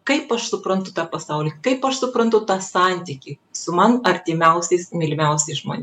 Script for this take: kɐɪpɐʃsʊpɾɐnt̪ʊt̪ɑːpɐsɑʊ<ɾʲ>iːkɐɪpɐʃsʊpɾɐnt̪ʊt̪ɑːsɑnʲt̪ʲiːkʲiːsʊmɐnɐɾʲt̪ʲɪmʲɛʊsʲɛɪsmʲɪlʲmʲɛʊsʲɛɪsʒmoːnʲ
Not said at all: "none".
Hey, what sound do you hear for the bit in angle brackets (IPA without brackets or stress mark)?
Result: lʲ